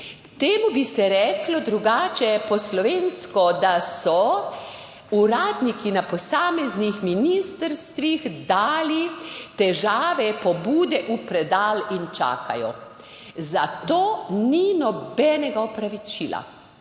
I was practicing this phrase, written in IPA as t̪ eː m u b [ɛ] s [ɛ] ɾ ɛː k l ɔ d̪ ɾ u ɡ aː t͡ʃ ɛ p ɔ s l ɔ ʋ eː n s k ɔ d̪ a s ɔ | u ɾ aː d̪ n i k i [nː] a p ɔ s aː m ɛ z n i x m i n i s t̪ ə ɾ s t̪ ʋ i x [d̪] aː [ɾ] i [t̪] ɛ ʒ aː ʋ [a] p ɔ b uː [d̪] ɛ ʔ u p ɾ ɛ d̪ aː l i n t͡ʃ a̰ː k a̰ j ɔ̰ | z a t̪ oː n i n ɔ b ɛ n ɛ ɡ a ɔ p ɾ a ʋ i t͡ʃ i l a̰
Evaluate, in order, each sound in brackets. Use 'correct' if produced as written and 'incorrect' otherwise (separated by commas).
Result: incorrect, correct, incorrect, correct, incorrect, correct, incorrect, correct